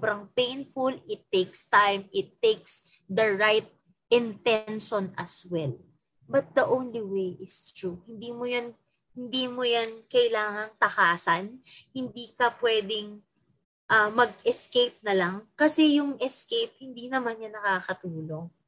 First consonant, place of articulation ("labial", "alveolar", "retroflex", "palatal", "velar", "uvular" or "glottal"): labial